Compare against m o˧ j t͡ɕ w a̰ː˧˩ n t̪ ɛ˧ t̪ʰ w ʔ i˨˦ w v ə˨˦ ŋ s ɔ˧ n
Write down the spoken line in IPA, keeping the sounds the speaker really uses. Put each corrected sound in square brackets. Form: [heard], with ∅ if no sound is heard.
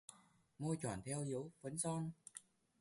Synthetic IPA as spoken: m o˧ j t͡ɕ w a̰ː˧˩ n [t̪ʰ] ɛ˧ [∅] w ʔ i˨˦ w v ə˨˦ [n] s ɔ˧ n